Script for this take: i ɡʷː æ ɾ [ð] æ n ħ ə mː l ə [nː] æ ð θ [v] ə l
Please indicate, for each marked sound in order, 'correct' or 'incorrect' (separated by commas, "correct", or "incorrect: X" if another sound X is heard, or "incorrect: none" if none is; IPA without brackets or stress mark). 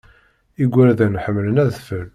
correct, incorrect: n, incorrect: f